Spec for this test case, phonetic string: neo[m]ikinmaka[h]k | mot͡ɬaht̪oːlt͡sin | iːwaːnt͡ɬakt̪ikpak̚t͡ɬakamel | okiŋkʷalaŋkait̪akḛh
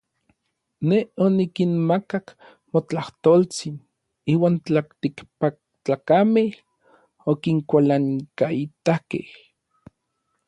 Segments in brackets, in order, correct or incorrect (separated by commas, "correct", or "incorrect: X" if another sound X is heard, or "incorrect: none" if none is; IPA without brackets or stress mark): incorrect: n, incorrect: none